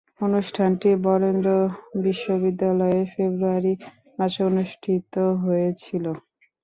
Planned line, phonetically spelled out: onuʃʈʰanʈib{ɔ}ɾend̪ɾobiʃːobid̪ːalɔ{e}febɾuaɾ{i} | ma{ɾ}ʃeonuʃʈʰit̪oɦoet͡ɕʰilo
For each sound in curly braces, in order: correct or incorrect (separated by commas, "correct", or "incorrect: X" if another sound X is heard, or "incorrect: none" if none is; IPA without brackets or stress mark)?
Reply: correct, correct, correct, incorrect: none